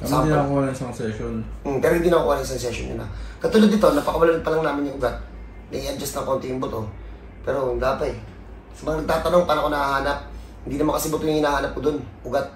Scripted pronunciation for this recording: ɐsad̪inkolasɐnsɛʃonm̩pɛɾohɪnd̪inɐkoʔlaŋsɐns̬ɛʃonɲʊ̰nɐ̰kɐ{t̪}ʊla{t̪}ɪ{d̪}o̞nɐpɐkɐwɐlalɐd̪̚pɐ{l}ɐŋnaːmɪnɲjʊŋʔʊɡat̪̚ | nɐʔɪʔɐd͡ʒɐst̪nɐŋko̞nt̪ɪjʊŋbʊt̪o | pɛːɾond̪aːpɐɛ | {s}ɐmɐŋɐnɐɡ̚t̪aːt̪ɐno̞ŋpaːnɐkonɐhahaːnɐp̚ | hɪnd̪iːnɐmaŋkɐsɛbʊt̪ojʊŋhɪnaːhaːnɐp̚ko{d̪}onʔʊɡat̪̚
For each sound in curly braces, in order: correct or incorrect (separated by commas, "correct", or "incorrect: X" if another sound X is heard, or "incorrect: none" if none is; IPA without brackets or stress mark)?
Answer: correct, incorrect: d̪, incorrect: t̪, correct, correct, correct